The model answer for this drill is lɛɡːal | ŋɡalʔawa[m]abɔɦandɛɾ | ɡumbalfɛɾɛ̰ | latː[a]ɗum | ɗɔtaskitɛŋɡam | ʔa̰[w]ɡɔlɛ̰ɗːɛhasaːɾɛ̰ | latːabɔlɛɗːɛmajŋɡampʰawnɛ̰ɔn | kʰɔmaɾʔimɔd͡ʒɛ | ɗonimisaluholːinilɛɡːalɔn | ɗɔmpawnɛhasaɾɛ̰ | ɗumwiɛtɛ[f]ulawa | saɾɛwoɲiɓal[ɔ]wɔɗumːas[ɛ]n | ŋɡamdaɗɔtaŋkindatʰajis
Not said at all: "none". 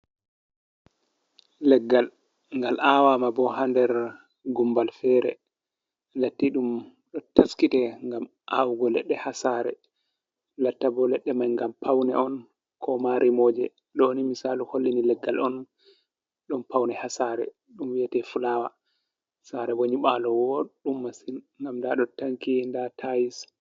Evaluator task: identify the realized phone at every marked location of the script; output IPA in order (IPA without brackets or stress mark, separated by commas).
m, i, w, f, ɔ, i